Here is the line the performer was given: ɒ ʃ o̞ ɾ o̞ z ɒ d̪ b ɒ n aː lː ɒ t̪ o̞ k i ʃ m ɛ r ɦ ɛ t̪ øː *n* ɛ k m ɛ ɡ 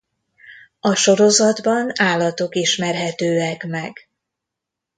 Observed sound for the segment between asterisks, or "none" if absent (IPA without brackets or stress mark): none